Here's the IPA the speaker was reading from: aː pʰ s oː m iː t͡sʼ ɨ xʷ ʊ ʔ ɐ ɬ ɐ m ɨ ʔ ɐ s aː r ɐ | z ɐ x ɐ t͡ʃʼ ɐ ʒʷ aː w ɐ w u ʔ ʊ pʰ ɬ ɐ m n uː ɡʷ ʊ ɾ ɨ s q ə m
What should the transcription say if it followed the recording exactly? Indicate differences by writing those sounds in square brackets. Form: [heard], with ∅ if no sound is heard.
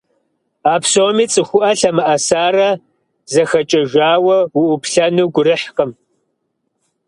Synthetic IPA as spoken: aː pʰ s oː m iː t͡sʼ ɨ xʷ ʊ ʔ ɐ ɬ ɐ m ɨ ʔ ɐ s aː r ɐ | z ɐ x ɐ t͡ʃʼ ɐ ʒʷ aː w ɐ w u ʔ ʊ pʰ ɬ ɐ [∅] n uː ɡʷ ʊ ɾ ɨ [ħ] q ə m